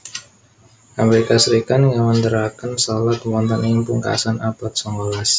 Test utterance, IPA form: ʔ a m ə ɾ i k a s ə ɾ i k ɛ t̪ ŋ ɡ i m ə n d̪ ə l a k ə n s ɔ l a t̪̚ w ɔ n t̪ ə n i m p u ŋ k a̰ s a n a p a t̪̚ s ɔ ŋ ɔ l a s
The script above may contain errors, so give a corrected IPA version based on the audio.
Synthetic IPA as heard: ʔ a m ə ɾ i k a s ə ɾ i k a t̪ ŋ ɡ a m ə n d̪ ə ɾ a k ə n s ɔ l a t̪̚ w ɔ n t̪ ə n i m p u ŋ k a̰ s a n a p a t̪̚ s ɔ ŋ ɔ l a s